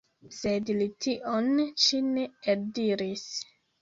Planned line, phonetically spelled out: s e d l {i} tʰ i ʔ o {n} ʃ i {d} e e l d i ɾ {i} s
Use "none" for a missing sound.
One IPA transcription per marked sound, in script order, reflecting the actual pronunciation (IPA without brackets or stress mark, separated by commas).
i, n, n, i